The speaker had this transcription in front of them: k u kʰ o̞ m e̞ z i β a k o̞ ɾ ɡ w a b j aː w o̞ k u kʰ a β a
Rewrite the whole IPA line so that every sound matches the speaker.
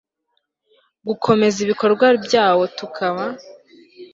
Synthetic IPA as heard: ɡ u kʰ o̞ m e̞ z i β i k o̞ ɾ ɡ w a b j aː w o̞ t u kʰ a β a

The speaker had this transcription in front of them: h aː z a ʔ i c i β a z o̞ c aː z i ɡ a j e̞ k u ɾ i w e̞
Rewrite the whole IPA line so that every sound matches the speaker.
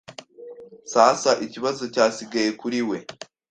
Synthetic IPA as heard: s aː s a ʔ i c i β a z o̞ c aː s i ɡ a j e̞ k u ɾ i w e̞

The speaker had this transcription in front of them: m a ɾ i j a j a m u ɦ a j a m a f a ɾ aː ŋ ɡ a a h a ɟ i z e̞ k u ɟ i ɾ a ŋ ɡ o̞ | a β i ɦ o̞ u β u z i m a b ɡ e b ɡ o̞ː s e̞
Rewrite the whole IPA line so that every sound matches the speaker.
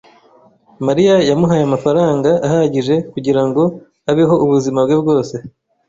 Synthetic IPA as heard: m a ɾ i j a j a m u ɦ a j a m a f a ɾ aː ŋ ɡ a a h a ɟ i ʒ e̞ k u ɟ i ɾ a ŋ ɡ o̞ | a β i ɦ o̞ u β u z i m a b ɡ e b ɡ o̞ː s e̞

